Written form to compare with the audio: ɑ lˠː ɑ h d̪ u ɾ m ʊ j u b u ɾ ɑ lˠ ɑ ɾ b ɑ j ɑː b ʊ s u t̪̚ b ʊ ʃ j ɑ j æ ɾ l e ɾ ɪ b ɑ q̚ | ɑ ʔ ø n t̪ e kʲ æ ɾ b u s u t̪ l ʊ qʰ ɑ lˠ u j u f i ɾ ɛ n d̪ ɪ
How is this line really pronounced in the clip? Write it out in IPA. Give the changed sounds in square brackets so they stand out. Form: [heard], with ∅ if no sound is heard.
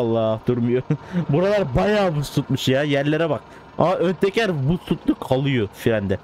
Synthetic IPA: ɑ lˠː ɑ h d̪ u ɾ m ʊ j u b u ɾ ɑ lˠ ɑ ɾ b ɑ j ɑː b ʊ s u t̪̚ [m] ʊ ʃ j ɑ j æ ɾ l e ɾ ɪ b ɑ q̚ | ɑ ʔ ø n t̪ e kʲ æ ɾ b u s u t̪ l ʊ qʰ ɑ lˠ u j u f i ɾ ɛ n d̪ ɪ